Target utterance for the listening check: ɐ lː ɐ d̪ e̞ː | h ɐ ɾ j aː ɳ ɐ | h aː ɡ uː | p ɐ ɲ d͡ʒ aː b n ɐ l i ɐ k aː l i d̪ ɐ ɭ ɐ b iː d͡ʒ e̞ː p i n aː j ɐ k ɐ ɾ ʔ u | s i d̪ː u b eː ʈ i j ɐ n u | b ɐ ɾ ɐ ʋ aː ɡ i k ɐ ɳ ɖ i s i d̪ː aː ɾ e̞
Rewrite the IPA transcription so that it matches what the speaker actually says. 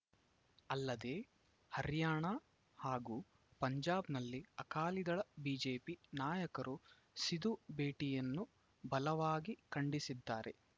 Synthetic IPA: ɐ lː ɐ d̪ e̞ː | h ɐ ɾ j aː ɳ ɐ | h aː ɡ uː | p ɐ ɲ d͡ʒ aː b n ɐ lː i ɐ k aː l i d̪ ɐ ɭ ɐ b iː d͡ʒ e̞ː p i n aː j ɐ k ɐ ɾ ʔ u | s i d̪ u b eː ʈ i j ɐ nː u | b ɐ l ɐ ʋ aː ɡ i k ɐ ɳ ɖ i s i d̪ː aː ɾ e̞